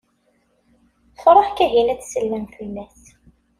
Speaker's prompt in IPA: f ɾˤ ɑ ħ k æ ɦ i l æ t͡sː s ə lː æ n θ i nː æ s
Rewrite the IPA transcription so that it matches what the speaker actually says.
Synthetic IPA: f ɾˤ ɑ ħ k æ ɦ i l æ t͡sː s ə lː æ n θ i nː æ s